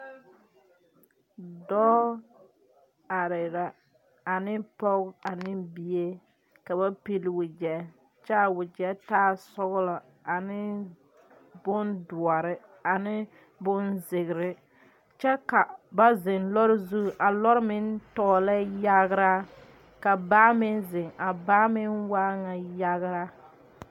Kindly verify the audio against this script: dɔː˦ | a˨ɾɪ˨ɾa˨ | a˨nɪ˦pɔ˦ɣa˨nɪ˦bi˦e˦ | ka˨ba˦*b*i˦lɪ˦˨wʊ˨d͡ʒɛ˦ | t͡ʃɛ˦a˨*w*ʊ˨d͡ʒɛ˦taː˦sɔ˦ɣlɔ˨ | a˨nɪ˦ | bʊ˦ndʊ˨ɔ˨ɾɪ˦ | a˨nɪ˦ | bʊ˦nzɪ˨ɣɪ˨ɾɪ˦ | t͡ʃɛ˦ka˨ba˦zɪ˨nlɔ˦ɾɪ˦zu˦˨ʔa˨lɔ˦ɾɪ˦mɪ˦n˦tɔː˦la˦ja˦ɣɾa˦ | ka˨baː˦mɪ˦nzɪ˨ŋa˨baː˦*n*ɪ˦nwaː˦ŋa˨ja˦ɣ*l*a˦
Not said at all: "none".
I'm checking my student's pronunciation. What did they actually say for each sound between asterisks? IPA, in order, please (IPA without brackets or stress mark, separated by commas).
p, w, m, ɾ